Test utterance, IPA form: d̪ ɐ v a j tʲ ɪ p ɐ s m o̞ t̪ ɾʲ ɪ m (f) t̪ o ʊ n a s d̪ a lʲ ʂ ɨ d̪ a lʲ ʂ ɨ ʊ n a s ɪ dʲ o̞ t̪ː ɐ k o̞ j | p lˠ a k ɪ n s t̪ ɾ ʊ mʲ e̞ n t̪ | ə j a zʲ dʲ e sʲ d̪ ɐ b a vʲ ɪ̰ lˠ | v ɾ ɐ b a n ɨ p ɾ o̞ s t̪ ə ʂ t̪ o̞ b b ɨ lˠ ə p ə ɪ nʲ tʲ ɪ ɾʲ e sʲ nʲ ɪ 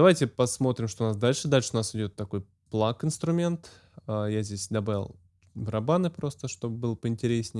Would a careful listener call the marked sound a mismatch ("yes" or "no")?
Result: yes